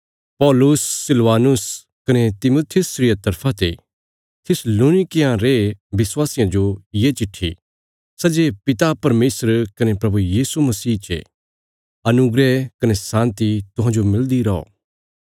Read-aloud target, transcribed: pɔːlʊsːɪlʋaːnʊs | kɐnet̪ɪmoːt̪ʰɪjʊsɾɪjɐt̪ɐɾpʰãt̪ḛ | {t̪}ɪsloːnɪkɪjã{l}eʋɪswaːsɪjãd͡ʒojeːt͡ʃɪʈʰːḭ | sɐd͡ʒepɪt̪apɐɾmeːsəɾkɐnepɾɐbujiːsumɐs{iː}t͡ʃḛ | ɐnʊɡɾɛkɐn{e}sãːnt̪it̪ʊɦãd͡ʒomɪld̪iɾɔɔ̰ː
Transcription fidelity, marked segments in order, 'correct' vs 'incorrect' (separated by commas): incorrect, incorrect, correct, correct